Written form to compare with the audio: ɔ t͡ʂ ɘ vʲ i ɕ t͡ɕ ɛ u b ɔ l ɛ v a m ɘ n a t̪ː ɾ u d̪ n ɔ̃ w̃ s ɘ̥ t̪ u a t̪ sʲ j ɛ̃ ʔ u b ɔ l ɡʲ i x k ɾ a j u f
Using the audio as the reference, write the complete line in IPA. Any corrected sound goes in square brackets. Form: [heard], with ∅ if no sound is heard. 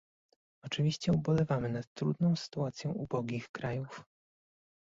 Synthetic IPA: ɔ t͡ʂ ɘ vʲ i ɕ t͡ɕ ɛ u b ɔ l ɛ v a m ɘ n a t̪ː ɾ u d̪ n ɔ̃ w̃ s ɘ̥ t̪ u a t̪ sʲ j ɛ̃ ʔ u b ɔ [∅] ɡʲ i x k ɾ a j u f